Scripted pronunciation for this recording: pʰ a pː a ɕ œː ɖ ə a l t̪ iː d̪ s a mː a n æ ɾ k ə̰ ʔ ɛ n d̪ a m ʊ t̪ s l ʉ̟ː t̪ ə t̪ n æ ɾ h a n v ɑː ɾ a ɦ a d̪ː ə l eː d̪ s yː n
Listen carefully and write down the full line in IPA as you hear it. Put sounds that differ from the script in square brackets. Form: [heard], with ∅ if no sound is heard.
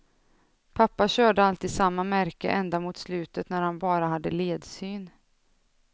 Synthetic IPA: pʰ a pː a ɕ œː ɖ ə a l t̪ iː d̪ s a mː a [m] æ ɾ k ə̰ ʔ ɛ n d̪ a m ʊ t̪ s l ʉ̟ː t̪ ə t̪ n æ ɾ h a n [b] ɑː ɾ a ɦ a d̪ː ə l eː d̪ s yː n